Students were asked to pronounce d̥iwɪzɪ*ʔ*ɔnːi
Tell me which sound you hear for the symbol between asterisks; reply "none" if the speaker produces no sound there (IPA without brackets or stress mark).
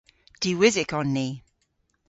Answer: k